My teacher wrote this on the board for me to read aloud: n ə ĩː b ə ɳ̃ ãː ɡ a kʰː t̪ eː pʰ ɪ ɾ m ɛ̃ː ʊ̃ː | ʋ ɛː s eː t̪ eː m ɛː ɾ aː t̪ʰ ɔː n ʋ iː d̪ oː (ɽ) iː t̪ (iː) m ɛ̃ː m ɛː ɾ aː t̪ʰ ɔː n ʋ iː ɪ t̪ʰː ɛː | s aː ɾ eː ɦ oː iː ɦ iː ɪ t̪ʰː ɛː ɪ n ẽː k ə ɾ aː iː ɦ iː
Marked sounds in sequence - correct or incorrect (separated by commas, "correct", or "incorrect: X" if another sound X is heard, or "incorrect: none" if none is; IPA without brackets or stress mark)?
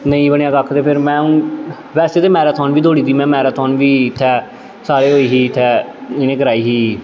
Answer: correct, correct